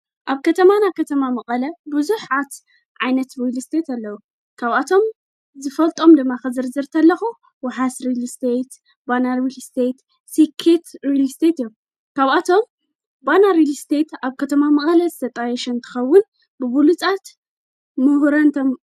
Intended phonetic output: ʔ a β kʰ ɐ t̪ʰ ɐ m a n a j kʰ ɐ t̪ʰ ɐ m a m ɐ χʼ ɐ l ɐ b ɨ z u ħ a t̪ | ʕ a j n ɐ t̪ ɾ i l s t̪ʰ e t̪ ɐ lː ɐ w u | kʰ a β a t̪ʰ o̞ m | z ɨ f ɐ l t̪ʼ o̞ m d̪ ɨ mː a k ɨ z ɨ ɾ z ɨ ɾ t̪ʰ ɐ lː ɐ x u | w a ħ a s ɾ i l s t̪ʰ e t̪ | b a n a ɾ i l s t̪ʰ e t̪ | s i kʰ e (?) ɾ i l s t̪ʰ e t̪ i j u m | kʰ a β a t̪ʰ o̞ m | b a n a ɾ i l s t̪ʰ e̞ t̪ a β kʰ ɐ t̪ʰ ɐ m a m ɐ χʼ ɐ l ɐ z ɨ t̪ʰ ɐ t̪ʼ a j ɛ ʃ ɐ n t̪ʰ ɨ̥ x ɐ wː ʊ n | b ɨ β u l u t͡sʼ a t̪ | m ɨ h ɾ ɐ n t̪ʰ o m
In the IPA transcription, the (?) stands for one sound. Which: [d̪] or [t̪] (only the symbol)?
t̪